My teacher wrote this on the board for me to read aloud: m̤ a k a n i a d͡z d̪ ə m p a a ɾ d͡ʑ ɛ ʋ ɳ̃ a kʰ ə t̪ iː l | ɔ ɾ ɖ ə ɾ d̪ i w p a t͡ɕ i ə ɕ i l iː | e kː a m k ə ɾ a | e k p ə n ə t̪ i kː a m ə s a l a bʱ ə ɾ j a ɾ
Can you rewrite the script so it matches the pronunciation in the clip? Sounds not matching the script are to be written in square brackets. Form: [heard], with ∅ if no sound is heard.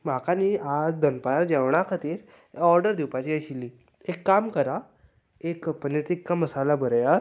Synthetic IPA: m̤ a k a n i a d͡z d̪ ə [n] p a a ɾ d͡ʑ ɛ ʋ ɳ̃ a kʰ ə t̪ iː [ɾ] | ɔ ɾ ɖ ə ɾ d̪ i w p a t͡ɕ i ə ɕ i l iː | e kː a m k ə ɾ a | e k p ə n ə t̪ i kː a m ə s a l a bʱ ə ɾ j a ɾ